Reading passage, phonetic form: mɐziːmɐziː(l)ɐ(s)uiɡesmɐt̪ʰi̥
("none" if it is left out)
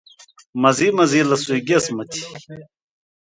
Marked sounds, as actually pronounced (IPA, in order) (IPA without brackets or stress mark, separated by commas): l, s